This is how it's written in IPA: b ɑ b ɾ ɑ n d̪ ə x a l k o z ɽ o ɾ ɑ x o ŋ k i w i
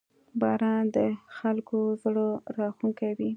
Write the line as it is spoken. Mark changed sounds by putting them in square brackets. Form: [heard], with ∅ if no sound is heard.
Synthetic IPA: b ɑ [∅] ɾ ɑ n d̪ ə x a l k o z ɽ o ɾ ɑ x [u] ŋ k [a] w i